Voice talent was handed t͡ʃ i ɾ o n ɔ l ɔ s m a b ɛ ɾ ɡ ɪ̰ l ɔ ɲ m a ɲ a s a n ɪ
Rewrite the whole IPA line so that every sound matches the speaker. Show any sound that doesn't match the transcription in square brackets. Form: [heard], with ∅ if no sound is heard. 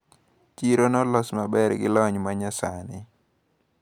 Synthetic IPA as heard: t͡ʃ i ɾ o n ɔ l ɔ s m a b ɛ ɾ ɡ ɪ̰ l ɔ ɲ m a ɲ a s a n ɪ